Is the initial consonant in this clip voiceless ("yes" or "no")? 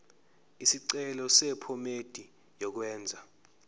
yes